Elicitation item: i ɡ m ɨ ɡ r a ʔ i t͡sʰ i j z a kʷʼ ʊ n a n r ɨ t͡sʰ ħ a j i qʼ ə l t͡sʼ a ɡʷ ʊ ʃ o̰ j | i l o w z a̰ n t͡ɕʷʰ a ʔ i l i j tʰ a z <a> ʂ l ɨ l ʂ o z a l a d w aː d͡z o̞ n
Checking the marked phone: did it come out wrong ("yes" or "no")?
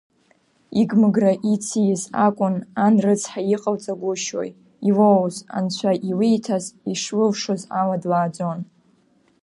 yes